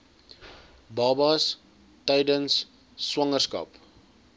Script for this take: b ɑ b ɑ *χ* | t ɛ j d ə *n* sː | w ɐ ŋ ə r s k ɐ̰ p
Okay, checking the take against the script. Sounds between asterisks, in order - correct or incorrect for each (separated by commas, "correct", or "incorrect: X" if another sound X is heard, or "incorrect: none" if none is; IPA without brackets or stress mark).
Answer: incorrect: s, correct